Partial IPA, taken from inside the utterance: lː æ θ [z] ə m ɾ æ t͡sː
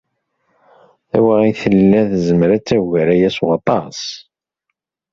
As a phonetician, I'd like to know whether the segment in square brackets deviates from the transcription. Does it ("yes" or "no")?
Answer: no